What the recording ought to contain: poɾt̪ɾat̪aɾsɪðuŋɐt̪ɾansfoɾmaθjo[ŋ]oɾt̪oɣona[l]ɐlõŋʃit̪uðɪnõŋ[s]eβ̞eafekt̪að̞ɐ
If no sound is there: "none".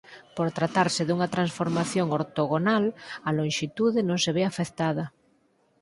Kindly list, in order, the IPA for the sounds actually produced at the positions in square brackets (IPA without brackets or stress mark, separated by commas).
ŋ, l, s